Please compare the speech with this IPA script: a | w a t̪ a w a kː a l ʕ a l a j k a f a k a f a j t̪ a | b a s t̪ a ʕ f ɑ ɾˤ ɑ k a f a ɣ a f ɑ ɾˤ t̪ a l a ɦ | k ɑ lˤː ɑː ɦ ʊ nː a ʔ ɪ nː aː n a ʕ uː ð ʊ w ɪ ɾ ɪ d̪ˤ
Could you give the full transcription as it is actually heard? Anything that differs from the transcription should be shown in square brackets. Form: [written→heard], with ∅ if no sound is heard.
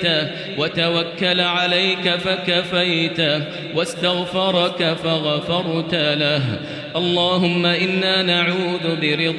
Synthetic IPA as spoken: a | w a t̪ a w a kː a l ʕ a l a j k a f a k a f a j t̪ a | [b→w] a s t̪ a [ʕ→ɣ] f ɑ ɾˤ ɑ k a f a ɣ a f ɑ ɾˤ t̪ a l a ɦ | [k→ʔ] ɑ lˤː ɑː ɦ ʊ [nː→mː] a ʔ ɪ nː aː n a ʕ uː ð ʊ [w→b] ɪ ɾ ɪ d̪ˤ